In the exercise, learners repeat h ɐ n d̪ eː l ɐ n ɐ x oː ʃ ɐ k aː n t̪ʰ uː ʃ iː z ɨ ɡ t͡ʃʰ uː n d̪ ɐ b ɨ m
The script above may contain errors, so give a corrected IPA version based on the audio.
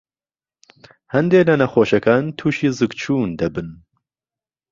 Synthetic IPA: h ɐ n d̪ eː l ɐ n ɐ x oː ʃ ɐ k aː n t̪ʰ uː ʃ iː z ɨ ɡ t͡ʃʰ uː n d̪ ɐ b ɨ n